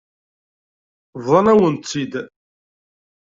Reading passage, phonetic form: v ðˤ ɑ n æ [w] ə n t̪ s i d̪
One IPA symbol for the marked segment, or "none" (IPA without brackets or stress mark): w